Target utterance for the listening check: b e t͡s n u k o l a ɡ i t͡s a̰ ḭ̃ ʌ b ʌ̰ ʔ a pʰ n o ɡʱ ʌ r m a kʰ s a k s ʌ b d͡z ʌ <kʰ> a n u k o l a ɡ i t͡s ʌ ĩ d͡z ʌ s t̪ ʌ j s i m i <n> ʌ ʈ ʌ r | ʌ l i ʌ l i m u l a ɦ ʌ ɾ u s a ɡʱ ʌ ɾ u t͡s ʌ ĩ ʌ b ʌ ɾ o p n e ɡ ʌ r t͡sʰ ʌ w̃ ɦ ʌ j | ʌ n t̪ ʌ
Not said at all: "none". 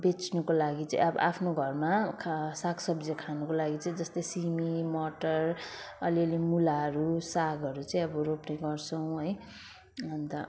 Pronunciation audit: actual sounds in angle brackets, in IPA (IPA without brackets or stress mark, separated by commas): kʰ, m